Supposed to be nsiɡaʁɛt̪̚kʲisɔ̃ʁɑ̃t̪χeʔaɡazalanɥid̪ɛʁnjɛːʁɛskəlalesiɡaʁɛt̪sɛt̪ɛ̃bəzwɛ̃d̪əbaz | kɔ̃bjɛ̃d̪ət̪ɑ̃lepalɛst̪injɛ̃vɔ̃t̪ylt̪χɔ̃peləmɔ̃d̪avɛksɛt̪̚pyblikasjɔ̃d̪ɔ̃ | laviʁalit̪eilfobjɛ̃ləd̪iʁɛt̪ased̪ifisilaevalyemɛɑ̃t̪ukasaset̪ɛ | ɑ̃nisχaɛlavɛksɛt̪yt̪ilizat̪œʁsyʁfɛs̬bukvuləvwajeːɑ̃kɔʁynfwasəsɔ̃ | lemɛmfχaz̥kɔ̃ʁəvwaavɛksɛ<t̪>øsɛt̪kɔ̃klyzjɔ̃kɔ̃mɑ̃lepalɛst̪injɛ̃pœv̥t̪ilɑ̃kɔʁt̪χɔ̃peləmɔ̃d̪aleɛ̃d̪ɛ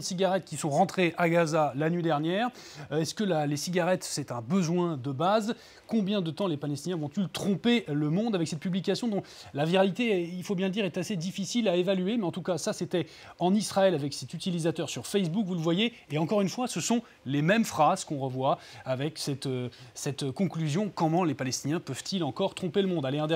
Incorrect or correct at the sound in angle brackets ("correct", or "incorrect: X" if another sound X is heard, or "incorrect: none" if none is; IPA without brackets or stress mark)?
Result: correct